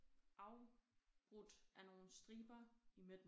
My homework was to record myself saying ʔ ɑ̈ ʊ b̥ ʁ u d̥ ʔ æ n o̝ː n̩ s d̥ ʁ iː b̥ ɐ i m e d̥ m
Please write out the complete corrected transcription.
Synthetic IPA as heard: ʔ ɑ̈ ʊ b̥ ʁ u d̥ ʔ æ n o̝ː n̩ s d̥ ʁ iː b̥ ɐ i m e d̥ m